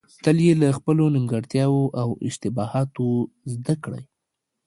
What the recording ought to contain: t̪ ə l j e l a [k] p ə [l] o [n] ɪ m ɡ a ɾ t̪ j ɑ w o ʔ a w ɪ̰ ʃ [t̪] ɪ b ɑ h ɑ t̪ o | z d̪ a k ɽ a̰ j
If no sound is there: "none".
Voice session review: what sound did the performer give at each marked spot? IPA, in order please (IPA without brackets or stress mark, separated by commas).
x, l, n, t̪